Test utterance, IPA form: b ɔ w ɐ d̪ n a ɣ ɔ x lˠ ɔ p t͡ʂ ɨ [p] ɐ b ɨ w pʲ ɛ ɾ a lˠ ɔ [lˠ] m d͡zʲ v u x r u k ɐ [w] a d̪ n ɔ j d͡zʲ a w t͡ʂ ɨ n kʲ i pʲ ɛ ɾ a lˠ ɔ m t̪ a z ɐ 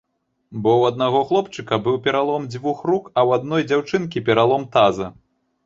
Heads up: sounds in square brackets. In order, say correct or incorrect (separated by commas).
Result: incorrect, incorrect, correct